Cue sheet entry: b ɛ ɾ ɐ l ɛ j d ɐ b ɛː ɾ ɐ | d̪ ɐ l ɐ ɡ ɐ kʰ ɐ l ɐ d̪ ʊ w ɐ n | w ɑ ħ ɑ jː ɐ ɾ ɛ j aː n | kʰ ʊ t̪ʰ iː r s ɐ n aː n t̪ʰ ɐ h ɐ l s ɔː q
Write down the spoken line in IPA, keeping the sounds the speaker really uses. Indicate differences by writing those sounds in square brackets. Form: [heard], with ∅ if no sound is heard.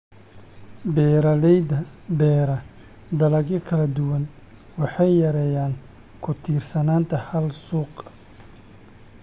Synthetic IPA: b ɛ ɾ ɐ l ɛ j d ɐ b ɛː ɾ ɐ | d̪ ɐ l ɐ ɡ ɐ kʰ ɐ l ɐ d̪ ʊ w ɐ n | w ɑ ħ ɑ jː ɐ ɾ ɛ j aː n | kʰ ʊ t̪ʰ iː r s ɐ n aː n t̪ʰ ɐ h ɐ l s [uː] q